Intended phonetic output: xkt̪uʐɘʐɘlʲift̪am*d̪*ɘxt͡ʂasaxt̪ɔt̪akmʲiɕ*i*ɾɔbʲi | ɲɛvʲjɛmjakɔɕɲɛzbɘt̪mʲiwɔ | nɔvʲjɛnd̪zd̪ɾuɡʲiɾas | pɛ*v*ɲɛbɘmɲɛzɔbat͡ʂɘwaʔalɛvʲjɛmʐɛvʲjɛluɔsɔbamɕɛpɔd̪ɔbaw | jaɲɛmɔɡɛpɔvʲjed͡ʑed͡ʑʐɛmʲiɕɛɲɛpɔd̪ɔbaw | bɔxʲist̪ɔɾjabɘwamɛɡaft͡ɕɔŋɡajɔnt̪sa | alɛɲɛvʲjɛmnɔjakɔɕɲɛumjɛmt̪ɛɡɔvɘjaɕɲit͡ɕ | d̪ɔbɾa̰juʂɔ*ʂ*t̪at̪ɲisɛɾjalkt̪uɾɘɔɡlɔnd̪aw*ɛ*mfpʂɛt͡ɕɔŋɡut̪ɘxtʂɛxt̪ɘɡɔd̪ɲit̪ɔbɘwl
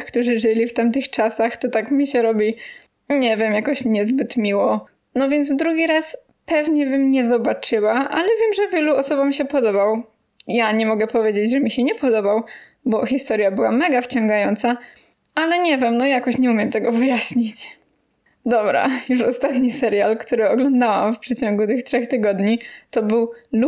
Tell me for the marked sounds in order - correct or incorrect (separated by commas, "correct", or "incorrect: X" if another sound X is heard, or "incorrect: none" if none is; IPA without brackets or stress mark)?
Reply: incorrect: t̪, incorrect: ɛ, correct, incorrect: s, incorrect: a